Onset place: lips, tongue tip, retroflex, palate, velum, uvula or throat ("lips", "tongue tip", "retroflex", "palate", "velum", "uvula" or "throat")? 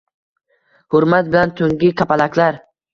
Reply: throat